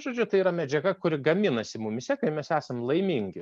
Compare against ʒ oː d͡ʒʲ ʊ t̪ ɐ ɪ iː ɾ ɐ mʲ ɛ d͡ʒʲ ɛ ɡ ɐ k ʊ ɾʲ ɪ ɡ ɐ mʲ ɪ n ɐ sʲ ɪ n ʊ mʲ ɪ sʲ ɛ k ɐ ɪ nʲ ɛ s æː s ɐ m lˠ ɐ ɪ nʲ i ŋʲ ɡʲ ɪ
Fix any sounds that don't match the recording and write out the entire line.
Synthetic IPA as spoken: ʒ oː d͡ʒʲ ʊ t̪ ɐ ɪ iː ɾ ɐ mʲ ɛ d͡ʒʲ ɛ ɡ ɐ k ʊ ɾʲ ɪ ɡ ɐ mʲ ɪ n ɐ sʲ ɪ m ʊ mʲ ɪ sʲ ɛ k ɐ ɪ mʲ ɛ s æː s ɐ m lˠ ɐ ɪ mʲ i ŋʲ ɡʲ ɪ